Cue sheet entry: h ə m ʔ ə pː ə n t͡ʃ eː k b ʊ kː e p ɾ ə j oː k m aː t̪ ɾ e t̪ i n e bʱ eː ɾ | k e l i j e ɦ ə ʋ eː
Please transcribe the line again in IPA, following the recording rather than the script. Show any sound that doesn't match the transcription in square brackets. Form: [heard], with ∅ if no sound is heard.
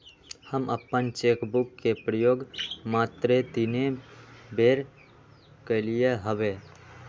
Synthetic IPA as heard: h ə m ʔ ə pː ə n t͡ʃ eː k b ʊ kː e p ɾ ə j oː [ɡ] m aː t̪ ɾ e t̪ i n e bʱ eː ɾ | k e l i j e ɦ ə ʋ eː